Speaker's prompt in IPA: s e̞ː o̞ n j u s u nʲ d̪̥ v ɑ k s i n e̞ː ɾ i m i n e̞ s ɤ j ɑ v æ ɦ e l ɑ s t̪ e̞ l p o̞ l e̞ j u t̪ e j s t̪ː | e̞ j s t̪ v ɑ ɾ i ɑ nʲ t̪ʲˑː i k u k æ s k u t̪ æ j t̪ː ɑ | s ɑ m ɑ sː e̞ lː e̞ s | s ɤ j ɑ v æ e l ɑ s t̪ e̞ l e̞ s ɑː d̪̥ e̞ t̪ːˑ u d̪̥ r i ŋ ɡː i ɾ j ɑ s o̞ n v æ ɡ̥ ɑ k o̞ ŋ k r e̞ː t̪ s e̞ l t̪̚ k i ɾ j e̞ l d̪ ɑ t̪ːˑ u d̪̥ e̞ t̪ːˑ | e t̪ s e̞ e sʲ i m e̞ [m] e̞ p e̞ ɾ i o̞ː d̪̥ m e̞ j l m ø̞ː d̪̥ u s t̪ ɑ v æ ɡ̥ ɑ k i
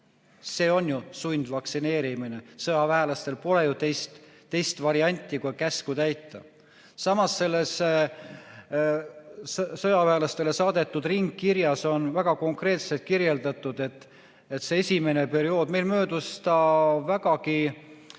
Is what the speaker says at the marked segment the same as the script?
no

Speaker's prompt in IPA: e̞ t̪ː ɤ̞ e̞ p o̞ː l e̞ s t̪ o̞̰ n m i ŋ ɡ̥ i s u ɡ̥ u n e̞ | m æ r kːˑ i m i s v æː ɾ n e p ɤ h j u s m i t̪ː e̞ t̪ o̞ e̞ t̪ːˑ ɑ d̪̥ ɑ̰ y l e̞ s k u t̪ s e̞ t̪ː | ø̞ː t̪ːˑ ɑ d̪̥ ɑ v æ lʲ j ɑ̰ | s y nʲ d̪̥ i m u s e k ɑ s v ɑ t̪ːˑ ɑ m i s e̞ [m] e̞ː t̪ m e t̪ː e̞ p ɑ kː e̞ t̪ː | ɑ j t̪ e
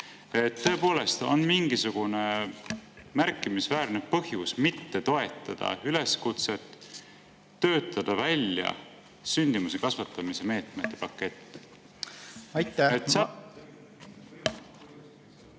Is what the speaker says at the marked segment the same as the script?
yes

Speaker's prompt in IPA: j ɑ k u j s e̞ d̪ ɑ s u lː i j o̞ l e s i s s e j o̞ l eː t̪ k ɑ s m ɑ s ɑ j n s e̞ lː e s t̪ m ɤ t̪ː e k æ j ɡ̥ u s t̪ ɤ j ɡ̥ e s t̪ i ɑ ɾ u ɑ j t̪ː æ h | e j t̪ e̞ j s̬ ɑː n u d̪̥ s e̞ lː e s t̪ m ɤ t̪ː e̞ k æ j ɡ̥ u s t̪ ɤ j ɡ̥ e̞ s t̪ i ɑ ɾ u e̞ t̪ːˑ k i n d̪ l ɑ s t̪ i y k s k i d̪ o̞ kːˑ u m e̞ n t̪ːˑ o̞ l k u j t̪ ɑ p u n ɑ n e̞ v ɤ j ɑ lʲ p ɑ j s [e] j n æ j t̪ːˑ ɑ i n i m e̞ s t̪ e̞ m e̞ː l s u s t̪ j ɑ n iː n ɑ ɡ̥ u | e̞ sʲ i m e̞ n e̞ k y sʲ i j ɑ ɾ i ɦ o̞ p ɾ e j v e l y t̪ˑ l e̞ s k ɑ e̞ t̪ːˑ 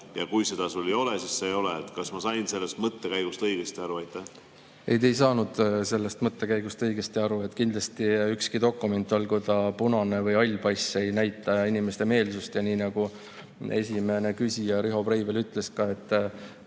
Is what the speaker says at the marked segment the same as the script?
yes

